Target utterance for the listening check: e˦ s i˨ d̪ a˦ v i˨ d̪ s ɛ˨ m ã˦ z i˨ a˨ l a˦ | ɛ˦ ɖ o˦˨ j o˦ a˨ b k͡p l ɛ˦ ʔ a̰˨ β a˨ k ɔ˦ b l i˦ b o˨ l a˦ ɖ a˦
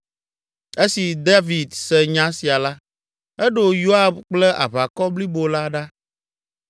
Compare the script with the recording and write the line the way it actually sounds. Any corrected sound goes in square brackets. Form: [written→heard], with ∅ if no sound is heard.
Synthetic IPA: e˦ s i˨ d̪ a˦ v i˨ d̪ s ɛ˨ [m→ɲ] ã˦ [z→s] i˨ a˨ l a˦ | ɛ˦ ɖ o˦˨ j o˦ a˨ b k͡p l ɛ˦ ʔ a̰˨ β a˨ k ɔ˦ b l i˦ b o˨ l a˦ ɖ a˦